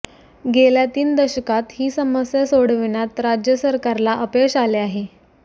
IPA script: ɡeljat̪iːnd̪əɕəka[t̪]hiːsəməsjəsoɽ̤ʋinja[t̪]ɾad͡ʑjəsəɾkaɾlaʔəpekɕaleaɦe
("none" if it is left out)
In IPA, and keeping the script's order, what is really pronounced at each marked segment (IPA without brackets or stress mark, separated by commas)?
t̪, t̪